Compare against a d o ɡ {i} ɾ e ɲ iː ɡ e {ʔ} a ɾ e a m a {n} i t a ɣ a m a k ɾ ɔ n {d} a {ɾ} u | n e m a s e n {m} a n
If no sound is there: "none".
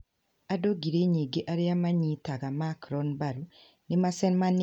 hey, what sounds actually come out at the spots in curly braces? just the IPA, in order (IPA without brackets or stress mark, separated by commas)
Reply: i, ʔ, ɲ, b, ɾ, m